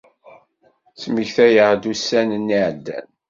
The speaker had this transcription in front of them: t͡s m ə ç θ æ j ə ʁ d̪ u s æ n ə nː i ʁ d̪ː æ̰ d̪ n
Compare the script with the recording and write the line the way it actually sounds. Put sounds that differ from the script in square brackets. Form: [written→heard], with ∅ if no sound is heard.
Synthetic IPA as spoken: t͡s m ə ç θ æ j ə ʁ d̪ u s æ n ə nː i [ʁ→ʕ] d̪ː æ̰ [d̪→∅] n